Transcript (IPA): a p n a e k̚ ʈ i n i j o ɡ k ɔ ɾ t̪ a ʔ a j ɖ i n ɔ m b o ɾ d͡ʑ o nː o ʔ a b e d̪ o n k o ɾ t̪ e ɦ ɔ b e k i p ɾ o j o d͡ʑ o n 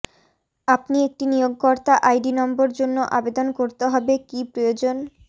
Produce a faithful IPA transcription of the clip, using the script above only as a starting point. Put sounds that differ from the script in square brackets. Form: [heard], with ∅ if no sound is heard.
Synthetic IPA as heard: a p n [i] e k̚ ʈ i n i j o ɡ k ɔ ɾ t̪ a ʔ a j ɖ i n ɔ m b o ɾ d͡ʑ o nː o ʔ a b e d̪ o n k o ɾ t̪ e ɦ ɔ b e k i p ɾ o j o d͡ʑ o n